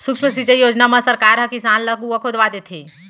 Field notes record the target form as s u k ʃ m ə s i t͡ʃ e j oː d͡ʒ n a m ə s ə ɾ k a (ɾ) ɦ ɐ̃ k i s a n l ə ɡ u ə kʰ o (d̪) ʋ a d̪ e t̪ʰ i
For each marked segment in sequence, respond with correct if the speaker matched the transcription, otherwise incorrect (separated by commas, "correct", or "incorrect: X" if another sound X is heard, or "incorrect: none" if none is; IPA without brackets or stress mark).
correct, correct